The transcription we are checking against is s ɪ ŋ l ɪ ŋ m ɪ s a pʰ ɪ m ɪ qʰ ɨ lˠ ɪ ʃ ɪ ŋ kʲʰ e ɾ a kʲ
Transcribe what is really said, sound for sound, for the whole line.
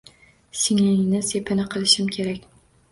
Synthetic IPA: s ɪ ŋ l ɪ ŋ n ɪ s e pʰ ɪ n ɪ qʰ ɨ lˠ ɪ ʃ ɪ m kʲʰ e ɾ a kʲ

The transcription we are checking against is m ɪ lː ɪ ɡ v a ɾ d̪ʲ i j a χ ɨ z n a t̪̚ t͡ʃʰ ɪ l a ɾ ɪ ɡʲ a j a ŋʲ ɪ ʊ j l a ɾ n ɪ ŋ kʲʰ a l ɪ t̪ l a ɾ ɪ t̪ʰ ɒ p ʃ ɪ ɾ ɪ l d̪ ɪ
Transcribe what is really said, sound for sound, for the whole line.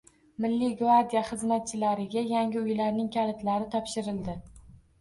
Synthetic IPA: m ɪ lː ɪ ɡ v a ɾ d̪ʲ i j a χ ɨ z m a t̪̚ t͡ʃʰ ɪ l a ɾ ɪ ɡʲ a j a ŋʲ ɪ ʊ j l a ɾ n ɪ ŋ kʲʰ a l ɪ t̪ l a ɾ ɪ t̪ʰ ɒ p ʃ ɪ ɾ ɪ l d̪ ɪ

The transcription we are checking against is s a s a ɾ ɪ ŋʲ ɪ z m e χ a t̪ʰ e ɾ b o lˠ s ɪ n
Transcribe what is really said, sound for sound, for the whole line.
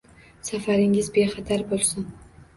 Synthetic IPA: s a f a ɾ ɪ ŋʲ ɪ z b e χ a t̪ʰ a ɾ b o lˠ s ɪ n

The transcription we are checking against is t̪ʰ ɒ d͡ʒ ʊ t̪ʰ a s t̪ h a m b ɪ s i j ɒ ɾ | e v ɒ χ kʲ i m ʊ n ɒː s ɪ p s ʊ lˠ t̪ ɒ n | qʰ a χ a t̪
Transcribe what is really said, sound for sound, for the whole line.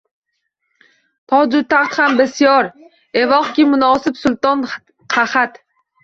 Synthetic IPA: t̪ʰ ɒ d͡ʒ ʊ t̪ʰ a χ t̪ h a m b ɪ s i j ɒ ɾ | e v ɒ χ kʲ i m ʊ n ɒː s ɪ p s ʊ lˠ t̪ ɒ n | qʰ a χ a t̪

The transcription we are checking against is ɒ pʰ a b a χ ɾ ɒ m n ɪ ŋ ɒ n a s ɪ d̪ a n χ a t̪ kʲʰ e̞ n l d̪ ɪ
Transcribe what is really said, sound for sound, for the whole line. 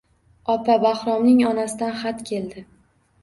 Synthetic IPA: ɒ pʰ a b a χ ɾ ɒ m n ɪ ŋ ɒ n a s ɪ d̪ a n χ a t̪ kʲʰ e̞ l d̪ ɪ

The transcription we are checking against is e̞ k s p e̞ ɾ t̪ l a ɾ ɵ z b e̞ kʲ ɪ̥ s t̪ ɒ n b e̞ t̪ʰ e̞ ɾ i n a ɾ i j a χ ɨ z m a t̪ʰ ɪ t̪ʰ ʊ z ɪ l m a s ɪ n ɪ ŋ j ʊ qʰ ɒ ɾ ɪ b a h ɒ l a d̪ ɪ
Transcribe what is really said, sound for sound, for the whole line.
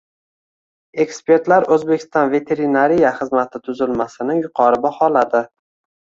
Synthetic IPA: e̞ k s p e̞ ɾ t̪ l a ɾ ɵ z b e̞ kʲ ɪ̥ s t̪ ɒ n v e̞ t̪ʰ e̞ ɾ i n a ɾ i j a χ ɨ z m a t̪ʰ ɪ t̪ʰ ʊ z ɪ l m a s ɪ n ɪ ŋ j ʊ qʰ ɒ ɾ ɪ b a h ɒ l a d̪ ɪ

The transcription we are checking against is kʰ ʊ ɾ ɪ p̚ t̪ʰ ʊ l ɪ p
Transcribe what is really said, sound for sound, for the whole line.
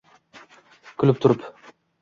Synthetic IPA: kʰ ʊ l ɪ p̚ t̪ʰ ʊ ɾ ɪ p

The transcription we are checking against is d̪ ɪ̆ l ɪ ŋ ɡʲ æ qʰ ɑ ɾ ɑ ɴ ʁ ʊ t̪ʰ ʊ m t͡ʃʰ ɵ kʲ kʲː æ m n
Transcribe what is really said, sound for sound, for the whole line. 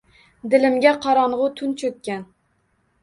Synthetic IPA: d̪ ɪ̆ l ɪ m ɡʲ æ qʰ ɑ ɾ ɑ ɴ ʁ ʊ t̪ʰ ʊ n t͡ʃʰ ɵ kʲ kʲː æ n

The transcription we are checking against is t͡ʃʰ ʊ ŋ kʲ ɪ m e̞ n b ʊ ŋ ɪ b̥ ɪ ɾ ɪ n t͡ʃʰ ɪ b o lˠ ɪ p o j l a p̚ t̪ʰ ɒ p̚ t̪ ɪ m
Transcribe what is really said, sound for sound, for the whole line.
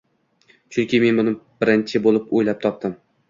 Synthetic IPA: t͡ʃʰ ʊ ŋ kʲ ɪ m e̞ n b ʊ n ɪ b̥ ɪ ɾ ɪ n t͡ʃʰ ɪ b o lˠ ɪ p o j l a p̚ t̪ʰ ɒ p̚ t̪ ɪ m

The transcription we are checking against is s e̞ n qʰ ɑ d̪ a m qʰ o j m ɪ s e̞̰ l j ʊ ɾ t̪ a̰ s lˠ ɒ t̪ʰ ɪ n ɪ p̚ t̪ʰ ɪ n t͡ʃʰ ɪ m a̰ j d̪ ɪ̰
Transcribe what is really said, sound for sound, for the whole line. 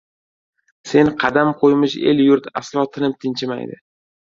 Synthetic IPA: s e̞ n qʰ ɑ d̪ a m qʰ o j m ɪ ʃ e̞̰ l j ʊ ɾ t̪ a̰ s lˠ ɒ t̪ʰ ɪ n ɪ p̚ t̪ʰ ɪ n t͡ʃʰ ɪ m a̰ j d̪ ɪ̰

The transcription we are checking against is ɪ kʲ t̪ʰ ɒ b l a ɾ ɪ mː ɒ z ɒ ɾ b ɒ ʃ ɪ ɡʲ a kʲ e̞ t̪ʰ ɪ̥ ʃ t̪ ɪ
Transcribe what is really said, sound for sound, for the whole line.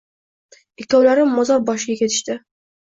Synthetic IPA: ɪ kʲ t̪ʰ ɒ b l a ɾ ɪ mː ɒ z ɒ ɾ b ɒ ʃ ɪ ɡʲ a kʲ e̞ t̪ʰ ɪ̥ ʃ t̪ ɪ

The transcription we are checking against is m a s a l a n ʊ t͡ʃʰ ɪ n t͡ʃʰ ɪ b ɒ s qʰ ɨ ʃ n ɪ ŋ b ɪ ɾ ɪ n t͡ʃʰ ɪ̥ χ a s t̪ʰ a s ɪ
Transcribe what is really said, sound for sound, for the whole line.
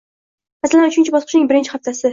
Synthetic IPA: m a s a l a n ʊ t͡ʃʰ ɪ n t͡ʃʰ ɪ b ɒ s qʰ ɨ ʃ n ɪ ŋ b ɪ ɾ ɪ n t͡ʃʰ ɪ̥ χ a f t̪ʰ a s ɪ

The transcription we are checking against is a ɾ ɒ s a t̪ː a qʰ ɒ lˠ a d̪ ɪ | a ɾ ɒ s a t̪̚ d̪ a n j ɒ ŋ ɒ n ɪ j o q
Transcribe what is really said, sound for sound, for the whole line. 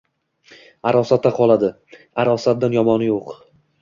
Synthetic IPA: a ɾ ɒ s a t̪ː a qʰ ɒ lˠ a d̪ ɪ | a ɾ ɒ s a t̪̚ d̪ a n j ɒ m ɒ n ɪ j o q

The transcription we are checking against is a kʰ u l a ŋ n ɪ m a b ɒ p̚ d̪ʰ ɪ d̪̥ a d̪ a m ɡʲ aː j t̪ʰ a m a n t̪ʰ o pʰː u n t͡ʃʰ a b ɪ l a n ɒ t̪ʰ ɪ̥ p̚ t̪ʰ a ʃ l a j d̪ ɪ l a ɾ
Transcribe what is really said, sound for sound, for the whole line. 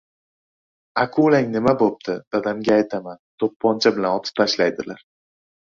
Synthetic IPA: a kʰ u l a ŋ n ɪ m a b o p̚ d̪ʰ ɪ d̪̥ a d̪ a m ɡʲ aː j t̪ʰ a m a n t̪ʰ o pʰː ɒ n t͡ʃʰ a b ɪ l a n ɒ t̪ʰ ɪ̥ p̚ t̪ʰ a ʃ l a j d̪ ɪ l a ɾ

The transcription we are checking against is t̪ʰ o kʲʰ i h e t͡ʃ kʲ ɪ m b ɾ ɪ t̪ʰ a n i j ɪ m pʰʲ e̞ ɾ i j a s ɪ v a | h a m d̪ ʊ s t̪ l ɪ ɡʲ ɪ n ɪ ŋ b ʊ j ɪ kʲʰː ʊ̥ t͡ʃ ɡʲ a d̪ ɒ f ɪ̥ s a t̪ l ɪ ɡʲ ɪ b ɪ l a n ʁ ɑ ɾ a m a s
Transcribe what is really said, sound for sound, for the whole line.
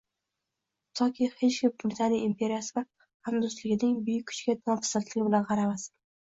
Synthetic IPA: t̪ʰ ɒ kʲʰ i h e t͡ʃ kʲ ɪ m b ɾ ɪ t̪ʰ a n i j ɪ m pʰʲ e̞ ɾ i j a s ɪ v a | h a m d̪ ʊ s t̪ l ɪ ɡʲ ɪ n ɪ ŋ b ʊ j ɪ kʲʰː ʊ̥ t͡ʃ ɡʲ a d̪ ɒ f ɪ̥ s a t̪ l ɪ ɡʲ ɪ b ɪ l a n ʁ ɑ ɾ a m a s

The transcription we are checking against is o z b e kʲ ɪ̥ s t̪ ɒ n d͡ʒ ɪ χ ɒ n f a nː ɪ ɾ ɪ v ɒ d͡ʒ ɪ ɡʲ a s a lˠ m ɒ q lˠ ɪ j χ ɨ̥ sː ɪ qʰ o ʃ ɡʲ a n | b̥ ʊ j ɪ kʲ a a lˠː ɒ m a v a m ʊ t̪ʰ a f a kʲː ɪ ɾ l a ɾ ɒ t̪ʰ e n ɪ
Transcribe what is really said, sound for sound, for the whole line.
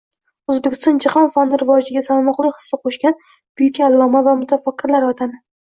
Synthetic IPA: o z b e kʲ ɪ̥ s t̪ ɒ n d͡ʒ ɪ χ ɒ n f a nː ɪ ɾ ɪ v ɒ d͡ʒ ɪ ɡʲ a s a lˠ m ɒ q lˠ ɪ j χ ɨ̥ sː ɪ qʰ o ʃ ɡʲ a n | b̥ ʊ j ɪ kʲ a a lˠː ɒ m a v a m ʊ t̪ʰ a f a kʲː ɪ ɾ l a ɾ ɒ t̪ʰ a n ɪ

